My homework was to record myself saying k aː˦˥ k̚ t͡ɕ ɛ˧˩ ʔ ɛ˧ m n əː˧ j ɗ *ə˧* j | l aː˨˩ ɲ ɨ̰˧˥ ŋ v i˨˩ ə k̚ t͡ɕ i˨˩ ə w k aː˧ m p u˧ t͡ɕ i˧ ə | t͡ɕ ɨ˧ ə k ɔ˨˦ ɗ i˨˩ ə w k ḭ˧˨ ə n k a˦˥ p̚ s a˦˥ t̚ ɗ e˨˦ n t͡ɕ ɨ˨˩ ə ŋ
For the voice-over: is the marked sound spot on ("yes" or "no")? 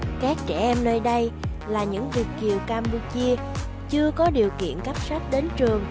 yes